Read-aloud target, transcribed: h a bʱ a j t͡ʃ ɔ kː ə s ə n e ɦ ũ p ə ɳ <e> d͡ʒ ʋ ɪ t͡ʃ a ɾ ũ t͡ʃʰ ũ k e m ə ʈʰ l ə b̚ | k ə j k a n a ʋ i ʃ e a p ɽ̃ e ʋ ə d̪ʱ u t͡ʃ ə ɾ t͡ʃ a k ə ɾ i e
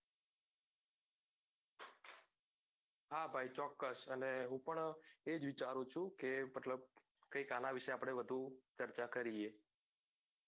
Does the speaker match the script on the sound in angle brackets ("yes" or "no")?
yes